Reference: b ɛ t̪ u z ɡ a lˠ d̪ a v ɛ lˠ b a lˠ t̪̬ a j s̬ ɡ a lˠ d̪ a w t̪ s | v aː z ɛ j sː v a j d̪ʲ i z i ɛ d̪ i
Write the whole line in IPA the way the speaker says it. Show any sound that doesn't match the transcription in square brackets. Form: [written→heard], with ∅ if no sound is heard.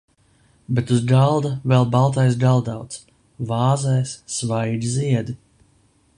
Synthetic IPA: b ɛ t̪ u z ɡ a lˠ d̪ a v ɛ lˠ b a lˠ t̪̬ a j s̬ ɡ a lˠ d̪ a w t̪ s | v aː z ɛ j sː v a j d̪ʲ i z i ɛ d̪ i